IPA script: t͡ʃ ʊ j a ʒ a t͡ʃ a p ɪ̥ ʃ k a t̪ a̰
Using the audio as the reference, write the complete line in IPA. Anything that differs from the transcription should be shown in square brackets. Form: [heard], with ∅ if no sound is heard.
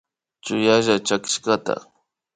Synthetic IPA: t͡ʃ ʊ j a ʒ a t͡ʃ a [k] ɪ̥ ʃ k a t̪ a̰